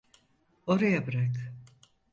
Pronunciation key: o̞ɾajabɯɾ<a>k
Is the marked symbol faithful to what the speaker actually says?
yes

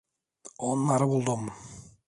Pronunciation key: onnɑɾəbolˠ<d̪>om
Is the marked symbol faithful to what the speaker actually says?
yes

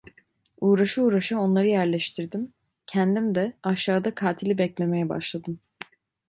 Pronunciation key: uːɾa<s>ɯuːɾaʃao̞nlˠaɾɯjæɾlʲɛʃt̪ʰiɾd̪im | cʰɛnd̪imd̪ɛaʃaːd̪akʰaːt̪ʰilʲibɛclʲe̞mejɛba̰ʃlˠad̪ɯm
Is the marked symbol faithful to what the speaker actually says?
no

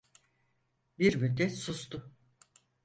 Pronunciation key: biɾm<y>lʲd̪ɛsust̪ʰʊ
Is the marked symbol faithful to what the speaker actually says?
yes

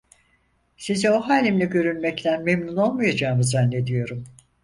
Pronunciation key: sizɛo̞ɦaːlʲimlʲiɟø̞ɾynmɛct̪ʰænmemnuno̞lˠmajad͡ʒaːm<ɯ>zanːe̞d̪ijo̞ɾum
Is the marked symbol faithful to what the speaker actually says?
yes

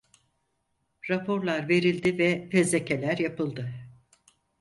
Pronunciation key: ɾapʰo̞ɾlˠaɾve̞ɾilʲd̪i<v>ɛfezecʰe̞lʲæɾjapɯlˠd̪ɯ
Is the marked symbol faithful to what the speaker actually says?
yes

